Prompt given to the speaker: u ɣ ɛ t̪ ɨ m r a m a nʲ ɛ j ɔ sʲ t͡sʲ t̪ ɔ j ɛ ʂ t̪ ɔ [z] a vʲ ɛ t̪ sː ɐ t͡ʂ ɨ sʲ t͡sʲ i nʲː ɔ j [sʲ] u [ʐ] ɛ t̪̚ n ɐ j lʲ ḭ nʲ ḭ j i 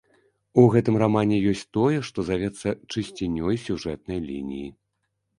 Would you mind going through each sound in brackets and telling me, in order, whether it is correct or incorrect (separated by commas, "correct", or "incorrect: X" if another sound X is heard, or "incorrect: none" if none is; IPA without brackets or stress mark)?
correct, correct, correct